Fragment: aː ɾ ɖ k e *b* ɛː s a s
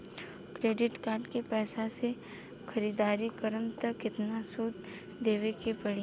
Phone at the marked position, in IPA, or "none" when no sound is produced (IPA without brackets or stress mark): p